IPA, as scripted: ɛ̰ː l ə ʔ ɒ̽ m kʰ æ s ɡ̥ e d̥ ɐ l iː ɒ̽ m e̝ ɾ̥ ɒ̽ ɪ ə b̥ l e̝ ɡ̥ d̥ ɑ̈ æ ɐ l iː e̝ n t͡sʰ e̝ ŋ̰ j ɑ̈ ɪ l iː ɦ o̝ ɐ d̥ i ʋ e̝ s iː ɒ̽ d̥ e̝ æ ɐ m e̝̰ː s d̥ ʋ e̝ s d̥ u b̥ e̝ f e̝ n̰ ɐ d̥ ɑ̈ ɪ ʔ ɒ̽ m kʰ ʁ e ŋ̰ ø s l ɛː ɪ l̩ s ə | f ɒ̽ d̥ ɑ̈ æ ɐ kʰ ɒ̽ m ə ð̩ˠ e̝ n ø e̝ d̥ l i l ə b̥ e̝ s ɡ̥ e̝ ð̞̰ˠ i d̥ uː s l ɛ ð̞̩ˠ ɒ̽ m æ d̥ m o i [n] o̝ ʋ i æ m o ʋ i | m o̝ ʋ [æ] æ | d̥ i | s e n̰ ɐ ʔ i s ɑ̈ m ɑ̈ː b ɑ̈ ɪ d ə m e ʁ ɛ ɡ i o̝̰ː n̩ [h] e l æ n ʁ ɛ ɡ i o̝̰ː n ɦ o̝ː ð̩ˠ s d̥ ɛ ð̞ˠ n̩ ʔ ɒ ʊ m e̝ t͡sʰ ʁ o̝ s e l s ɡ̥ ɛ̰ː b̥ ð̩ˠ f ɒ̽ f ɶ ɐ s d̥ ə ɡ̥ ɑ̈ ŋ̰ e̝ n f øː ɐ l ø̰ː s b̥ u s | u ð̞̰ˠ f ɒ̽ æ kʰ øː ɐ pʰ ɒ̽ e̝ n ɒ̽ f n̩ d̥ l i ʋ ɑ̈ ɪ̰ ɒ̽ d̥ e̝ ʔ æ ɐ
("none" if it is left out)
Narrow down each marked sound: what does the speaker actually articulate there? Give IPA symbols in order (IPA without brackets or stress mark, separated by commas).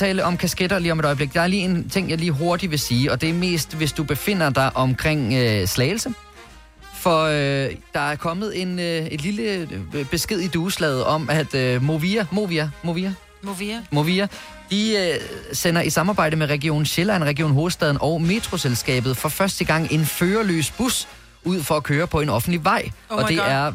m, i, ɕ